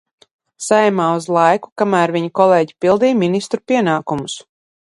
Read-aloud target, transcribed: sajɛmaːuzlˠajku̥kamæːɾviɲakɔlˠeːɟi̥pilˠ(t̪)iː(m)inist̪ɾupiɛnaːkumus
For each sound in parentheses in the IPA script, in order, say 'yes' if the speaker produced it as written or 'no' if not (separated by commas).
no, yes